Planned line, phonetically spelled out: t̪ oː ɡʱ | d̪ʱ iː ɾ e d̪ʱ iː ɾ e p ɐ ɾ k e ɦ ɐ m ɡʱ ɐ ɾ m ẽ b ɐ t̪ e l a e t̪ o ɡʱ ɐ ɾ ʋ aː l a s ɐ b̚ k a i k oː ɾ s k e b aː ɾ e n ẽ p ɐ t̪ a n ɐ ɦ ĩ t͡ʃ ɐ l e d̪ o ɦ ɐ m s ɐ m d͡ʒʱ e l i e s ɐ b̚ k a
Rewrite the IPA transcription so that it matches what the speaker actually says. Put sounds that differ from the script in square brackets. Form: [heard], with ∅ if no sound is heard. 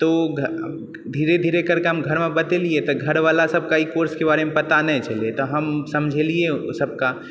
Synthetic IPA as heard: t̪ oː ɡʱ | d̪ʱ iː ɾ e d̪ʱ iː ɾ e [k] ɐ ɾ k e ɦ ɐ m ɡʱ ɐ ɾ m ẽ b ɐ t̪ e l [i] e t̪ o ɡʱ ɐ ɾ ʋ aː l a s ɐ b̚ k a i k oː ɾ s k e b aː ɾ e [m] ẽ p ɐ t̪ a n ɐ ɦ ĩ t͡ʃ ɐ l e [t̪] o ɦ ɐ m s ɐ m d͡ʒʱ e l i e s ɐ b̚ k a

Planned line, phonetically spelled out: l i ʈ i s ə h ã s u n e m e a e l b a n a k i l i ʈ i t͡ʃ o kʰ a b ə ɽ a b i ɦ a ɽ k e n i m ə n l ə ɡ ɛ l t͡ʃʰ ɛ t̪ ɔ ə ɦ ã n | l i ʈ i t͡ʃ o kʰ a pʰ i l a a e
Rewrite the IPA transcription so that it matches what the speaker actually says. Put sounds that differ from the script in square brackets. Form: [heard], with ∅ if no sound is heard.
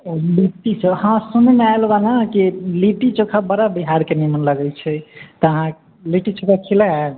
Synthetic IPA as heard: l i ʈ i s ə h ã s u n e m e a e l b a n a k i l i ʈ i t͡ʃ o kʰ a b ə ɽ a b i ɦ a [ɾ] k e n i m ə n l ə ɡ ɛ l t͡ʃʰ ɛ t̪ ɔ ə ɦ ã [∅] | l i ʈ i t͡ʃ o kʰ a [kʰ] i l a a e

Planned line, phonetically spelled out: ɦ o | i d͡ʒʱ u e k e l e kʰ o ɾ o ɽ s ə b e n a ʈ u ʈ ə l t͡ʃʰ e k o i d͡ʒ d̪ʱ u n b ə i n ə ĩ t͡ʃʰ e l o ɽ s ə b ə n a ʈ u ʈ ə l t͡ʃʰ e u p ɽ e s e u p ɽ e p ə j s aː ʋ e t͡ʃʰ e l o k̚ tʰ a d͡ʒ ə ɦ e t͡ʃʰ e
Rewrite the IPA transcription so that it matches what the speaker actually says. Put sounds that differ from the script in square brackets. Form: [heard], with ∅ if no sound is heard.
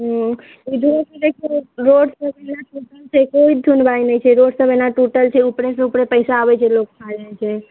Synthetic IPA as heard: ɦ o | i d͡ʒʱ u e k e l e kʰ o ɾ o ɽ s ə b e n a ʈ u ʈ ə l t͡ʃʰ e k o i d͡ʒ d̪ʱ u n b [a] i n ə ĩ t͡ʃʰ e [ɾ] o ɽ s ə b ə n a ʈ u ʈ ə l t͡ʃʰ e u p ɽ e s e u p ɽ e p ə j s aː ʋ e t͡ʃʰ e l o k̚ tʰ a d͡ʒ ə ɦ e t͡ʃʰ e

